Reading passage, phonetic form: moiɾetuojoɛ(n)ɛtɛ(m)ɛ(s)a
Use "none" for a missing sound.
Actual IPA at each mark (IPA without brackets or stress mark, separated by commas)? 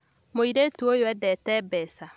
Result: d, b, s